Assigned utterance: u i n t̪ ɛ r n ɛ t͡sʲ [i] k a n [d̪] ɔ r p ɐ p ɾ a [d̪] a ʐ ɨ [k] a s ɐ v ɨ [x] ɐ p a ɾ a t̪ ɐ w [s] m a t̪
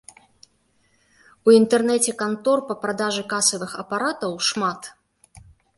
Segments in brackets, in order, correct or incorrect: incorrect, incorrect, correct, correct, correct, incorrect

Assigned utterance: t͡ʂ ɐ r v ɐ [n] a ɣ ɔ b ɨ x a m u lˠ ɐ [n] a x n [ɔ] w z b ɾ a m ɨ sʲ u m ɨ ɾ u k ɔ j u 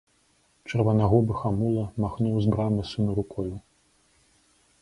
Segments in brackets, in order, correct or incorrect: correct, incorrect, incorrect

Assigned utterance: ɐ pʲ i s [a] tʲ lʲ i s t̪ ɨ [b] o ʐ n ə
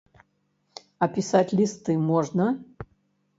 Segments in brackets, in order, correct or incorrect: correct, incorrect

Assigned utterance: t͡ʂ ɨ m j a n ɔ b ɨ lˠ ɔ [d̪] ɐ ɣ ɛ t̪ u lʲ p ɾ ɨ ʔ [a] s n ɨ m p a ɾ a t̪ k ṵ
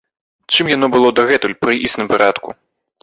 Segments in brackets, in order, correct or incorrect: correct, incorrect

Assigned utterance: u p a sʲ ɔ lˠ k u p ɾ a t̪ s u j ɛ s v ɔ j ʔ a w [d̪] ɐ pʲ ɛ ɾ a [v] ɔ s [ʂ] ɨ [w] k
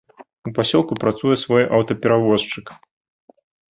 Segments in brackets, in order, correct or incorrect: incorrect, correct, incorrect, incorrect

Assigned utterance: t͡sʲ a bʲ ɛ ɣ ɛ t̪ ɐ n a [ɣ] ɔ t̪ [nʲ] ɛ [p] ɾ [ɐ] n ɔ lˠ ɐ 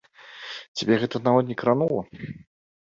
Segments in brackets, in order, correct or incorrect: incorrect, correct, incorrect, incorrect

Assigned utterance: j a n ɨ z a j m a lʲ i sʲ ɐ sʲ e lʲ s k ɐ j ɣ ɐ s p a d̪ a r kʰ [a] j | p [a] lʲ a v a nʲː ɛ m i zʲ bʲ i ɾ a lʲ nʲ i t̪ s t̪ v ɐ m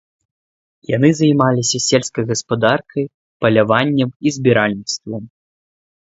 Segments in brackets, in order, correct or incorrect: incorrect, incorrect

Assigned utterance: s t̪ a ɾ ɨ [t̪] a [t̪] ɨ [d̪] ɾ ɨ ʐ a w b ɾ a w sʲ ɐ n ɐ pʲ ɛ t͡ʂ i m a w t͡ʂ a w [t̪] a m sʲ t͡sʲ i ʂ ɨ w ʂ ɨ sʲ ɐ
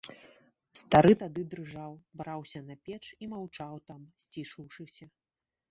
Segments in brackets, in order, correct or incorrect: correct, incorrect, correct, correct

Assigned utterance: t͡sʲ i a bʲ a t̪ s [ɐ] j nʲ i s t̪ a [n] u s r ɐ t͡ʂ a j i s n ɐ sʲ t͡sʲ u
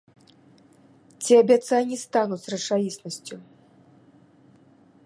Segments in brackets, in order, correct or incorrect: incorrect, correct

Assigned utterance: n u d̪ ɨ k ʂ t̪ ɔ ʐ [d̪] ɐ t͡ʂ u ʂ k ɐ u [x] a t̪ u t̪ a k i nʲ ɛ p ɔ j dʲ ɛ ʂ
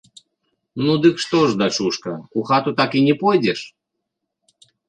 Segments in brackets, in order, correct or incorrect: correct, correct

